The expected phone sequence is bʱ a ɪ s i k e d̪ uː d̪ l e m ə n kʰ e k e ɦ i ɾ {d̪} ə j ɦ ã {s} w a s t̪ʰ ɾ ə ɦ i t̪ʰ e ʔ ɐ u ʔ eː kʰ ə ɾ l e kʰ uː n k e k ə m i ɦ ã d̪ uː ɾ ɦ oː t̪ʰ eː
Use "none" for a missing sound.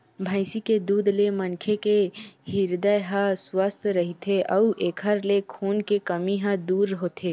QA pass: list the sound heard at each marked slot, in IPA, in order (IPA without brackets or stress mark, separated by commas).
d̪, s